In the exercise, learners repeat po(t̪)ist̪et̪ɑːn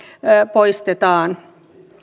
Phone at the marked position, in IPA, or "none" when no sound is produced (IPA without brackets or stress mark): none